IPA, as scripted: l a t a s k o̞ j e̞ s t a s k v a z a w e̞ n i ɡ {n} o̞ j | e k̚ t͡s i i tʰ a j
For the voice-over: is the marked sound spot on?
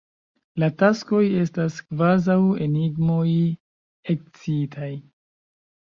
no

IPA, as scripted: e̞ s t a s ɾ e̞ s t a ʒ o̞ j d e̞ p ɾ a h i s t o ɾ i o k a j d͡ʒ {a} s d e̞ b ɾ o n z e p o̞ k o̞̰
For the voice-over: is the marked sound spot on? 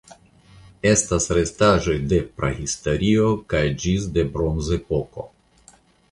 no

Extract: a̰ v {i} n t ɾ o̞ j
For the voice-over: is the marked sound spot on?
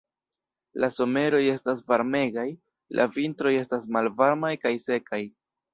yes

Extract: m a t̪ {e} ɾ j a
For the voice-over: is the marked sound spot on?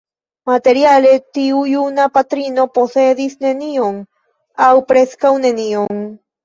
yes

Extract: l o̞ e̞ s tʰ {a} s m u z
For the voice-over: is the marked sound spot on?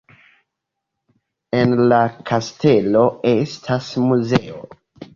yes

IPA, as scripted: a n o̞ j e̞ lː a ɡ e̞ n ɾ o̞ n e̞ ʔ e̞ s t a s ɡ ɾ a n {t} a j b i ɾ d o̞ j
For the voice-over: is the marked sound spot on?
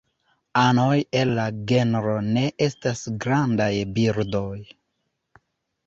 no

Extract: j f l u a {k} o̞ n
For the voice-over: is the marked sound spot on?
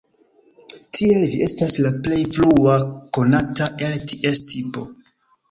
yes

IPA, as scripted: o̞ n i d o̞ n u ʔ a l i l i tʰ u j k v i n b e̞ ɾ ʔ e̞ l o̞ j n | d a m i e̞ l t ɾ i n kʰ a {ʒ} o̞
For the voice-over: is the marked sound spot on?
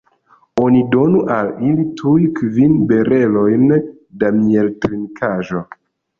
yes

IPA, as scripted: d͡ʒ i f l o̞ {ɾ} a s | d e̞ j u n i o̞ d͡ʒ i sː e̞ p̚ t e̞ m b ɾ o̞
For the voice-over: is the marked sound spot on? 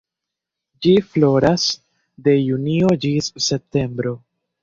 yes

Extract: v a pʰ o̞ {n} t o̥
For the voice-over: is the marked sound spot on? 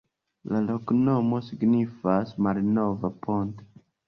yes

